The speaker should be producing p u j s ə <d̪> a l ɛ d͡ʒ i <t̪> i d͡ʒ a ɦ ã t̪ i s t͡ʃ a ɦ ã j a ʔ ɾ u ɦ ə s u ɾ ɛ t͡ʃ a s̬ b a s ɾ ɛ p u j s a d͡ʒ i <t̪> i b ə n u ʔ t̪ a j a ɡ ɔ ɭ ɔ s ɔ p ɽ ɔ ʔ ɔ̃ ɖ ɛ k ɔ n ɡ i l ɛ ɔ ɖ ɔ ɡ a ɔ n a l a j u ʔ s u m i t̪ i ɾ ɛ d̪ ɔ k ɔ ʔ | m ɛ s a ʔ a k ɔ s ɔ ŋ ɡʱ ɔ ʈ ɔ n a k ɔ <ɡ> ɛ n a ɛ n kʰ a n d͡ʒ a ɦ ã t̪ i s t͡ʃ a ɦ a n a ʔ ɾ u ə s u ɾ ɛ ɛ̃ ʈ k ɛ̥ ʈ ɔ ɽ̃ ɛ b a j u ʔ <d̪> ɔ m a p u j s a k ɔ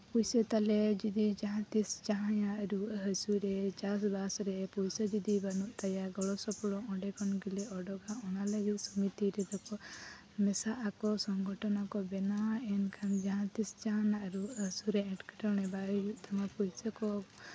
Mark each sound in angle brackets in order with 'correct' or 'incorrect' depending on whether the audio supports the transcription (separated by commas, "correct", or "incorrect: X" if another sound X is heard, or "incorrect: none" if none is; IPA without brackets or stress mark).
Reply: incorrect: t̪, incorrect: d̪, incorrect: d̪, incorrect: b, incorrect: t̪